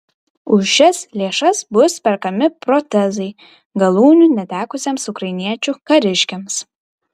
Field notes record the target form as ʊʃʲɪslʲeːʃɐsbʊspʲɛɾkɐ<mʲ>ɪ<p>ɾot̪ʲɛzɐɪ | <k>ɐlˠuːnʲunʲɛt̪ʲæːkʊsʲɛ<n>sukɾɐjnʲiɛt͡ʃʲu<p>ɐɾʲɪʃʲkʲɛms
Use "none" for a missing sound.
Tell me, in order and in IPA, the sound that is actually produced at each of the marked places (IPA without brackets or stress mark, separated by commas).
mʲ, p, ɡ, m, k